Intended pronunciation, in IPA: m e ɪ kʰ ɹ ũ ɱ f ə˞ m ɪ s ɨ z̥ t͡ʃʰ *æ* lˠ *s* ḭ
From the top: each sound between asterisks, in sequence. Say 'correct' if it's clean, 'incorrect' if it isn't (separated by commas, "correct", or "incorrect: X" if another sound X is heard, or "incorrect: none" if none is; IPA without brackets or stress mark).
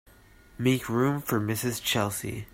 incorrect: ɛ, correct